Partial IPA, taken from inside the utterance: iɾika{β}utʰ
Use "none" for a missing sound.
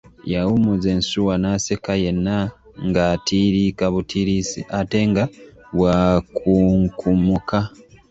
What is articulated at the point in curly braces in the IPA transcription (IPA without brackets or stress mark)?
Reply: β